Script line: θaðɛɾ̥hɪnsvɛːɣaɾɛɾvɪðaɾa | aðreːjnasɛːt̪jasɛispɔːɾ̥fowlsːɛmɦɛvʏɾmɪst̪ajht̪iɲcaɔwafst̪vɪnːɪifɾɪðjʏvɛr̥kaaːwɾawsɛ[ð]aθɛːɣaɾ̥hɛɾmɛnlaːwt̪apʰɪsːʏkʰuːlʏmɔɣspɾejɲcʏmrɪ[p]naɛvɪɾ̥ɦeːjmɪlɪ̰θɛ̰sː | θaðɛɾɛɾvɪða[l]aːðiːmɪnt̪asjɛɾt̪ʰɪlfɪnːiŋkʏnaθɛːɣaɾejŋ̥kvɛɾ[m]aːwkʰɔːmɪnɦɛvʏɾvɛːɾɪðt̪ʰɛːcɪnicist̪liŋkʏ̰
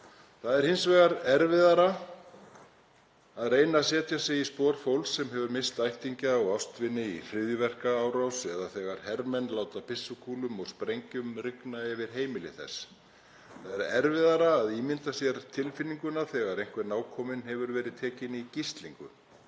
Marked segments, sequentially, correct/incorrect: correct, incorrect, incorrect, incorrect

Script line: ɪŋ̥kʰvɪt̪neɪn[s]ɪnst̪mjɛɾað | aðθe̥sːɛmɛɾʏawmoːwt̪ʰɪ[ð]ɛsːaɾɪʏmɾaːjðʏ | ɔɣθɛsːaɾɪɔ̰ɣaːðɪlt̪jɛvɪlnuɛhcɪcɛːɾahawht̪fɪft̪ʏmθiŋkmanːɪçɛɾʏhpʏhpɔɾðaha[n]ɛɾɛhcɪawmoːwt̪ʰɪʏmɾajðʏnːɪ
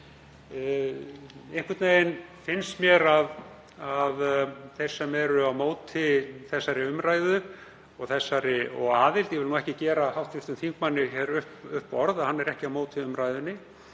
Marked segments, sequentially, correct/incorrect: incorrect, incorrect, incorrect

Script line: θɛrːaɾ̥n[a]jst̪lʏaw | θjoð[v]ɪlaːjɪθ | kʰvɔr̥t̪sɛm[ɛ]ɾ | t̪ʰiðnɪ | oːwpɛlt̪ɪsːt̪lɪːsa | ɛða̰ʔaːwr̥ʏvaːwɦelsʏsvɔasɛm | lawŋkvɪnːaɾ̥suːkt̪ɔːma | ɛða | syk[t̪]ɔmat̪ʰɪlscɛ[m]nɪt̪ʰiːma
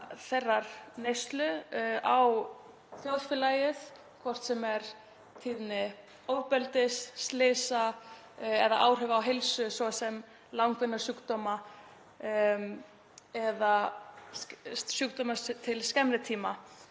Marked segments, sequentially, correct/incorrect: incorrect, incorrect, correct, correct, correct

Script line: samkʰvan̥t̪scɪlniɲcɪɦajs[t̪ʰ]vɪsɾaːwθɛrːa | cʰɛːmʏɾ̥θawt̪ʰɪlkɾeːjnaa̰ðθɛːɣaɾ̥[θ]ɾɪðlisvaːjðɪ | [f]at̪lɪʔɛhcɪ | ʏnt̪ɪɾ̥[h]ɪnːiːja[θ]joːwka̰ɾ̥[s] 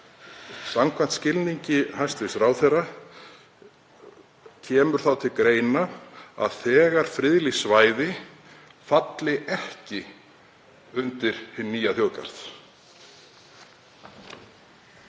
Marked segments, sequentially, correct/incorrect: incorrect, incorrect, correct, correct, correct, incorrect

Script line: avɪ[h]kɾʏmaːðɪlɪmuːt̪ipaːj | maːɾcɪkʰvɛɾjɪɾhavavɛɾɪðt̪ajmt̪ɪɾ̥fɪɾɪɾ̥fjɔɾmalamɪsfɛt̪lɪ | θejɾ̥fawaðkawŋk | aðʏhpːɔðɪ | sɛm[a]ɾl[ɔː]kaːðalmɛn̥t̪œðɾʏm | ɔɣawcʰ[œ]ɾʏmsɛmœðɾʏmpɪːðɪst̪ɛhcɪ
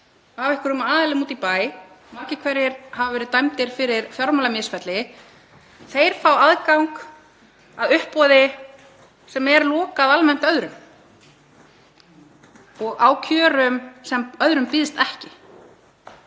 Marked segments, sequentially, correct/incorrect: correct, incorrect, correct, incorrect

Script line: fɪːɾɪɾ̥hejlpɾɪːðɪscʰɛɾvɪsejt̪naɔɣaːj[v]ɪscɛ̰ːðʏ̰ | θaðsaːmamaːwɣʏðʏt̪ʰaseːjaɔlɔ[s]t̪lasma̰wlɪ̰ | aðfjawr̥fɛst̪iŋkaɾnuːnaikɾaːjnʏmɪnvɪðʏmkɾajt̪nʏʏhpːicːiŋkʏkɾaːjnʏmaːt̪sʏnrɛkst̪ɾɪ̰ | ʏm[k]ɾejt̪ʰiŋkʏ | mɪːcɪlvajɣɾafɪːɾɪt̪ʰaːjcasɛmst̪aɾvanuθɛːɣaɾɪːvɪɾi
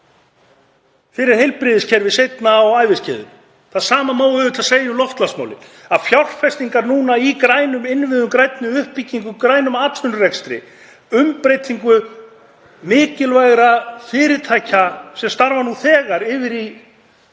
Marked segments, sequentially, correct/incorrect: correct, incorrect, incorrect

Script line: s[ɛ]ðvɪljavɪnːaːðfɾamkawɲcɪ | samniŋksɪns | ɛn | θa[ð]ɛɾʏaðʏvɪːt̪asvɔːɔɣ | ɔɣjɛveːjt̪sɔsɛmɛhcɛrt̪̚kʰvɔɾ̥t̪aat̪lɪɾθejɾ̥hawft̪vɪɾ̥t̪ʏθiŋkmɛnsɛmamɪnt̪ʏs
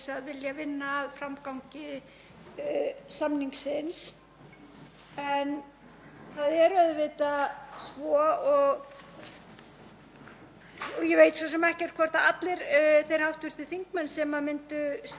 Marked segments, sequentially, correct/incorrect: incorrect, correct

